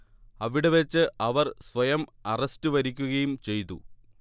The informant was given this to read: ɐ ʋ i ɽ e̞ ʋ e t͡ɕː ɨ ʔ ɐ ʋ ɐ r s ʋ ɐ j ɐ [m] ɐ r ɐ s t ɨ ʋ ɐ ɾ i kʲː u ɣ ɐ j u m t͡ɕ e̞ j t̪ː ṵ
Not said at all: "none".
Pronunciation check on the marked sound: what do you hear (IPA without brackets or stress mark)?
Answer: m